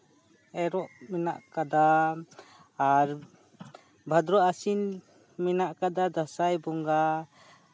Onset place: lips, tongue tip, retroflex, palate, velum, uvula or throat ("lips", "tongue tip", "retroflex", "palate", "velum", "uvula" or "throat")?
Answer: tongue tip